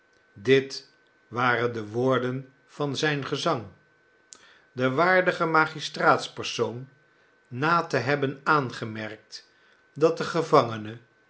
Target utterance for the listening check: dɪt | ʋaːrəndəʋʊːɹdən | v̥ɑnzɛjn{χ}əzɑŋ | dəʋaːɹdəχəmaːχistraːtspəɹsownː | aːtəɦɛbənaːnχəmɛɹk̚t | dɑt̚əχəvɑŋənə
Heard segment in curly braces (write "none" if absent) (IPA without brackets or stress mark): χ